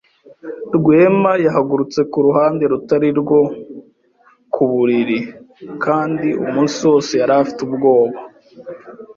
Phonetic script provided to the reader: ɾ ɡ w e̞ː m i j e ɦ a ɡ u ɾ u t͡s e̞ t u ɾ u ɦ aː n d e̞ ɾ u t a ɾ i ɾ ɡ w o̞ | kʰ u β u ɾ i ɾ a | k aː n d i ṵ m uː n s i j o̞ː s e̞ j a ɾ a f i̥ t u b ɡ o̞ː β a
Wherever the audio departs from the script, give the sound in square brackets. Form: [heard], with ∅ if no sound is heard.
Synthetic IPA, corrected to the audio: ɾ ɡ w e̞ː m [a] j [a] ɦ a ɡ u ɾ u t͡s e̞ [k] u ɾ u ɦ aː n d e̞ ɾ u t a ɾ i ɾ ɡ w o̞ | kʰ u β u ɾ i ɾ [i] | k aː n d i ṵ m uː n s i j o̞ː s e̞ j a ɾ a f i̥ t u b ɡ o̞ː β a